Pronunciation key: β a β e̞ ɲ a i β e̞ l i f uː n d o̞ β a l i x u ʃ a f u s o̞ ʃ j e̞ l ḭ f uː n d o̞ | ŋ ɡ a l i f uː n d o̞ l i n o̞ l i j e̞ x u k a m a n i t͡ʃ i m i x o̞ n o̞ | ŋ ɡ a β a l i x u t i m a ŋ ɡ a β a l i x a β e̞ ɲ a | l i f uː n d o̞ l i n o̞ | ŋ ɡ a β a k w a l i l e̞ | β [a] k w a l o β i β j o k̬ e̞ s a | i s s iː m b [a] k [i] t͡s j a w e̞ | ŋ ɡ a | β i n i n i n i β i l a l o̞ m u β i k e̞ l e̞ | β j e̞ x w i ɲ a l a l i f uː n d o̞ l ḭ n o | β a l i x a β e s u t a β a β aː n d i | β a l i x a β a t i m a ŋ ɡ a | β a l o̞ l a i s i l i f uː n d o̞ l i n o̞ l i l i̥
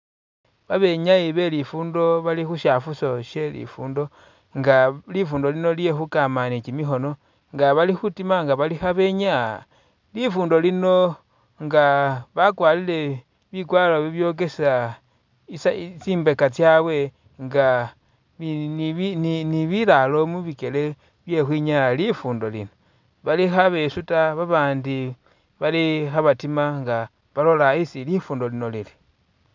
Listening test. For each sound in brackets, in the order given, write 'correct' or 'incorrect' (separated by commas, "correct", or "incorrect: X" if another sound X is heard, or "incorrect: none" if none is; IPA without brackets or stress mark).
incorrect: i, incorrect: e, incorrect: a